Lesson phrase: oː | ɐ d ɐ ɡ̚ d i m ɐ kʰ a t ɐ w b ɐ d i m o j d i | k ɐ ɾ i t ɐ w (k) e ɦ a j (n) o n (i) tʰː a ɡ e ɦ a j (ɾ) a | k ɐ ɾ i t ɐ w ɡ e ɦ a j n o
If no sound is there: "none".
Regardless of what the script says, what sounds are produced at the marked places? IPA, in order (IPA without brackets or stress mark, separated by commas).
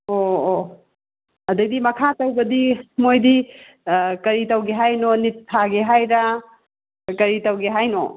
ɡ, n, i, ɾ